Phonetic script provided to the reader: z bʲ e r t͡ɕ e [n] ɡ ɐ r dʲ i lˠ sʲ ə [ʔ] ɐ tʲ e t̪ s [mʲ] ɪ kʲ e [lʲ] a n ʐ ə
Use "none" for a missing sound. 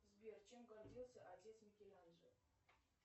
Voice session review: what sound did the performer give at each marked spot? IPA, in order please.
m, ʔ, mʲ, lʲ

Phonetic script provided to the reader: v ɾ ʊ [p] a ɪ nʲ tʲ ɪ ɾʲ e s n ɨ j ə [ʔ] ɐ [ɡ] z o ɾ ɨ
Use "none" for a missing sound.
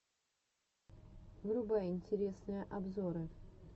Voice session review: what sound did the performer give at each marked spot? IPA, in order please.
b, ʔ, b

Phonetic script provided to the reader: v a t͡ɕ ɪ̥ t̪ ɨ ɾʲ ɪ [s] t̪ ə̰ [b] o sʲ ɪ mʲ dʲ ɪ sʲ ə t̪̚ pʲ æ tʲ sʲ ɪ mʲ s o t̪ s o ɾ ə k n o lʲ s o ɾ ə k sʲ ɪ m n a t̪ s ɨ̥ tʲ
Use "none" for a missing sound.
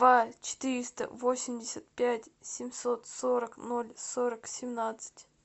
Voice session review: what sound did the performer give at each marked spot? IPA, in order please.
s, v

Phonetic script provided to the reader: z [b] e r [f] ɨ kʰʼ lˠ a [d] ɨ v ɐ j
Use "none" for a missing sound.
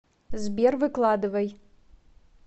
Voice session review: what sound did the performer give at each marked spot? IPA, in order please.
b, v, d

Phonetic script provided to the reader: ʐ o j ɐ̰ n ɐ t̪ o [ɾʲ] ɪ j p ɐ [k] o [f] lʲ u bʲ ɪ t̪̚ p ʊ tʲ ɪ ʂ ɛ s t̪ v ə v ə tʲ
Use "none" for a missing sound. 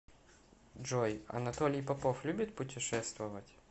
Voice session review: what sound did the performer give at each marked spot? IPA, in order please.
lʲ, p, f

